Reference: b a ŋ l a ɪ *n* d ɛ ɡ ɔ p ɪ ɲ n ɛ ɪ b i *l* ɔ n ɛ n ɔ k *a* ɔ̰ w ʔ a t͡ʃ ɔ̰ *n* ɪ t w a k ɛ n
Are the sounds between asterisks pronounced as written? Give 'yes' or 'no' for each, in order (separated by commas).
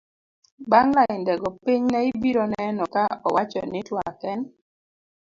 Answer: yes, no, yes, yes